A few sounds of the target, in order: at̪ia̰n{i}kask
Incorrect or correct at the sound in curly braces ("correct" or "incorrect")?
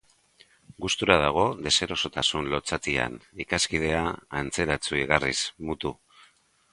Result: correct